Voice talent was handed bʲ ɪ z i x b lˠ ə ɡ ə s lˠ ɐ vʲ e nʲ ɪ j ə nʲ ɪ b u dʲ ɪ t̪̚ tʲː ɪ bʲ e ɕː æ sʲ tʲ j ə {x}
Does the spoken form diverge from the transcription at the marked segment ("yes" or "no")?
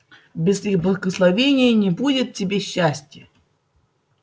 yes